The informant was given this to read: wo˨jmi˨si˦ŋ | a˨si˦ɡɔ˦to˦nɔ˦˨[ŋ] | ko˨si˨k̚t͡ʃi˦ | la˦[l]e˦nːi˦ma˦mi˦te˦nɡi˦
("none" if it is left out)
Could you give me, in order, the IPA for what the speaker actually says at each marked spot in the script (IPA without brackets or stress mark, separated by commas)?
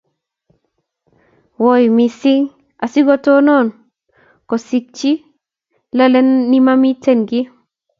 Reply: n, l